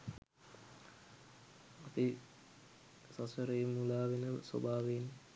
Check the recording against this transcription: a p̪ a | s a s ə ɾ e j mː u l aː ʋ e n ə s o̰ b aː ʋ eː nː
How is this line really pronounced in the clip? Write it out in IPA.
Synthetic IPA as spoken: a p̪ i | s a s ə ɾ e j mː u l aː ʋ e n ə s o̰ b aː ʋ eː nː

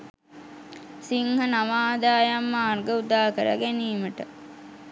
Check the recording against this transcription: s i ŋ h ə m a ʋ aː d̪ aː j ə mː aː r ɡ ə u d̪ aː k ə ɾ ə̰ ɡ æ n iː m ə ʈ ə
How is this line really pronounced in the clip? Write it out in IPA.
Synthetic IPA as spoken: s i ŋ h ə n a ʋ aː d̪ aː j a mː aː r ɡ ə u d̪ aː k ə ɾ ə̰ ɡ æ n iː m ə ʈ ə

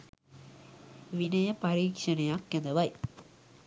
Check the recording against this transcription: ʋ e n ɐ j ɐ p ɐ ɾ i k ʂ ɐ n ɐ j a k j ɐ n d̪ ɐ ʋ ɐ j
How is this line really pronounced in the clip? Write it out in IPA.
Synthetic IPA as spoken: ʋ i n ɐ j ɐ p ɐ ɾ iː k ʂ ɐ n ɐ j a k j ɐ n d̪ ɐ ʋ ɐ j

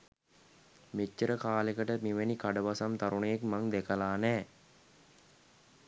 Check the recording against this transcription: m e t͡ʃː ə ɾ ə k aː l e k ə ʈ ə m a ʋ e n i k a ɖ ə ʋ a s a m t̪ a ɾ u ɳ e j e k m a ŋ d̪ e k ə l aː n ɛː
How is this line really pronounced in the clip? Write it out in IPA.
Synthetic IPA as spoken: m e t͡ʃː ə ɾ ə k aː l e k ə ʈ ə m i ʋ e n i k a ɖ ə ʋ a s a m t̪ a ɾ u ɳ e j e k m a ŋ d̪ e k ə l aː n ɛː

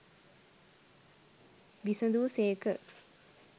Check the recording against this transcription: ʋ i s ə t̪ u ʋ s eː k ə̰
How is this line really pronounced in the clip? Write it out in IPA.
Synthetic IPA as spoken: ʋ i s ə d̪ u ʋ s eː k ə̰

